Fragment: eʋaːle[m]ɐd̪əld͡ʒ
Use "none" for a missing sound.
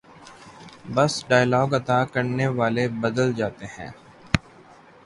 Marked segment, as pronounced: b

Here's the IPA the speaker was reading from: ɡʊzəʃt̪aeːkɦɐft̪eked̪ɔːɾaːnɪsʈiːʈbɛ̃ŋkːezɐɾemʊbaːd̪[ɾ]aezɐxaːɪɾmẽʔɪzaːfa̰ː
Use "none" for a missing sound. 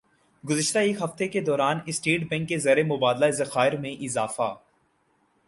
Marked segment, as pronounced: l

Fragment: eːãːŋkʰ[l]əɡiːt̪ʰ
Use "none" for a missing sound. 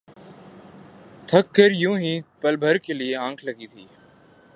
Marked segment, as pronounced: l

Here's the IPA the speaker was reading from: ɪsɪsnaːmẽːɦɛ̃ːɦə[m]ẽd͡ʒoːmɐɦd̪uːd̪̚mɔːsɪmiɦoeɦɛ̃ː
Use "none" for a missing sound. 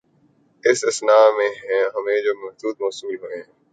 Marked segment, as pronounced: m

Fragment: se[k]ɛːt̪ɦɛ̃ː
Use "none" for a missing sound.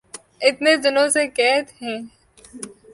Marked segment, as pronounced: k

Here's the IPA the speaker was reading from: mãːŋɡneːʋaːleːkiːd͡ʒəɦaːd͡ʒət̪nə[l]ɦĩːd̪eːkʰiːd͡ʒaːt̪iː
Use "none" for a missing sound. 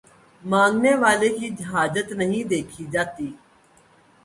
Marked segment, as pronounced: none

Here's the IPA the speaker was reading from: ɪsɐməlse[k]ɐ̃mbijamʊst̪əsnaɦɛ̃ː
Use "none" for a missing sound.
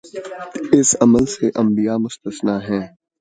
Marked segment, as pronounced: ʔ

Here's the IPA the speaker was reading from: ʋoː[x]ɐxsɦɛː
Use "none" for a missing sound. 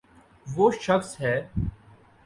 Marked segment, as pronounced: ʃ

